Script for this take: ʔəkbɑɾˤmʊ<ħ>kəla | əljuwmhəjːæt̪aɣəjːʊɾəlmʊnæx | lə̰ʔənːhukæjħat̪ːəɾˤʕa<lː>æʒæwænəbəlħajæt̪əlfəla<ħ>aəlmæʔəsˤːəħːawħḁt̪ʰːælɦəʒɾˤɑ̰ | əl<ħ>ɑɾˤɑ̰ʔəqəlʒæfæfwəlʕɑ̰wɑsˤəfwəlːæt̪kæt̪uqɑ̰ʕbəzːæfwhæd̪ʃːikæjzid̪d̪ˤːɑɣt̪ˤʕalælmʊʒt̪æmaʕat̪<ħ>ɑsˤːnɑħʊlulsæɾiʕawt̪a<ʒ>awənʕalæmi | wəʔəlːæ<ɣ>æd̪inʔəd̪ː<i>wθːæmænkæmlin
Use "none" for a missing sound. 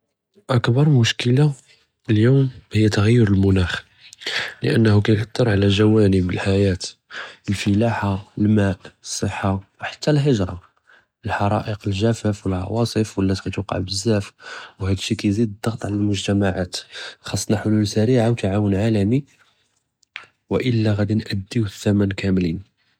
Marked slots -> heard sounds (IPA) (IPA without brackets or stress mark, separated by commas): ʃ, l, ħ, ħ, x, ʕ, ɣ, i